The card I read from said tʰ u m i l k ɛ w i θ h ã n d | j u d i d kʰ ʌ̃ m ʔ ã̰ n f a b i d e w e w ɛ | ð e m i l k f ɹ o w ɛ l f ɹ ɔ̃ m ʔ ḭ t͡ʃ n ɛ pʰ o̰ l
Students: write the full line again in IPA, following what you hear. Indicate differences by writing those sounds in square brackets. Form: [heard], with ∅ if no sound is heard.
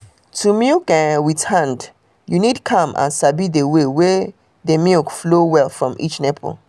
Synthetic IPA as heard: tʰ u m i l k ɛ w i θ h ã n d | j u [n] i d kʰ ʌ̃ m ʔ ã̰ n [s] a b i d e w e w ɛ | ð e m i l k f [l] o w ɛ l f ɹ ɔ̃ m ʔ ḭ t͡ʃ n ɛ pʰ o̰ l